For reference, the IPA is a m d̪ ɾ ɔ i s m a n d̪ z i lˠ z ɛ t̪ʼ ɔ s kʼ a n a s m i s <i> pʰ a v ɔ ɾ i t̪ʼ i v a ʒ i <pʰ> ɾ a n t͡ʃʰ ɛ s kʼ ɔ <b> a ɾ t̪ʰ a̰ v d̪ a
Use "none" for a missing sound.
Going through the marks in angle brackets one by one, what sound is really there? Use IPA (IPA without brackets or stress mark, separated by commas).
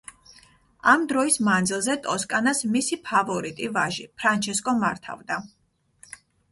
i, pʰ, m